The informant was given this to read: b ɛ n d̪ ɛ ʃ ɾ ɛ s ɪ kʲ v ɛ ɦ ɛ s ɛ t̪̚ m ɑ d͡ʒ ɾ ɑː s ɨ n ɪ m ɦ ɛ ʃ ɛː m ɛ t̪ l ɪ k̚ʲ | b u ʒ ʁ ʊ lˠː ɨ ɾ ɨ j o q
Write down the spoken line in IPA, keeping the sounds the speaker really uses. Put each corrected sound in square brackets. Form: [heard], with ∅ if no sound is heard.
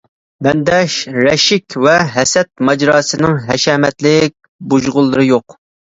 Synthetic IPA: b ɛ n d̪ ɛ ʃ ɾ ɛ [ʃ] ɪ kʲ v ɛ ɦ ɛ s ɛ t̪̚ m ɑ d͡ʒ ɾ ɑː s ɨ n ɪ [ŋ] ɦ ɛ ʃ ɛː m ɛ t̪ l ɪ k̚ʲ | b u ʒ ʁ ʊ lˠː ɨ ɾ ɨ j o q